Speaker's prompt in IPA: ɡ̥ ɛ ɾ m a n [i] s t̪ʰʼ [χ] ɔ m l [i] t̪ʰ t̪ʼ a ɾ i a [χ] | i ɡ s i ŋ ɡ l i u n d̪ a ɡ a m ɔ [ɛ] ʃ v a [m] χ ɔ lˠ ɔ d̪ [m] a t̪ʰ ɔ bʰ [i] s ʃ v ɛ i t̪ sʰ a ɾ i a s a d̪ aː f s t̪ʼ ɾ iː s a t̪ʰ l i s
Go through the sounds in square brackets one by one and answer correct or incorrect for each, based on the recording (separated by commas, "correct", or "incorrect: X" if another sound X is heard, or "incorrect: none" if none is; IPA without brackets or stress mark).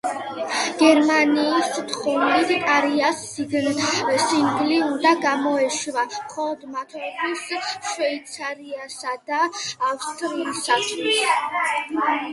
incorrect: iː, correct, correct, incorrect: s, correct, correct, correct, correct